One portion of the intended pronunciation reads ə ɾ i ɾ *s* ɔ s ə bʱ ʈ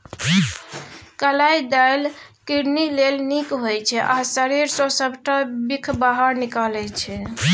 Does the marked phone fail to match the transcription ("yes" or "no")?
no